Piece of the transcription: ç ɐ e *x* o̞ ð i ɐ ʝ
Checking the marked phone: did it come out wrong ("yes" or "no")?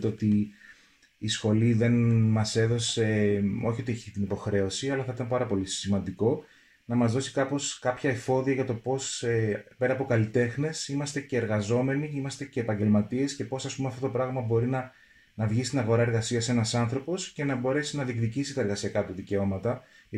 yes